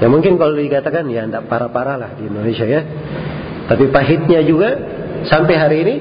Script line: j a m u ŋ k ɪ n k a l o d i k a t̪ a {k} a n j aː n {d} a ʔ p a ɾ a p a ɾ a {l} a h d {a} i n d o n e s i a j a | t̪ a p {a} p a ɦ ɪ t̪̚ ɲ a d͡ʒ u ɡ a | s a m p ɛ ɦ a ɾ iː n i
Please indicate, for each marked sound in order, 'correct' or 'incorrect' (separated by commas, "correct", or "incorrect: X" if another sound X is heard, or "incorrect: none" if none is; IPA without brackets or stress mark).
correct, correct, correct, incorrect: i, incorrect: i